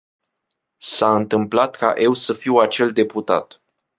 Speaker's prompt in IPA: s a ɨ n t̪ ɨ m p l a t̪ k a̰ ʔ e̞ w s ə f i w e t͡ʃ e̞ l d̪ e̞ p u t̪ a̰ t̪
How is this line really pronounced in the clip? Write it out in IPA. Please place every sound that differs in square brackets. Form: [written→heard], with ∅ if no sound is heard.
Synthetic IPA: s a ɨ n t̪ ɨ m p l a t̪ k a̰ ʔ e̞ w s ə f i w [e→a] t͡ʃ e̞ l d̪ e̞ p u t̪ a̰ t̪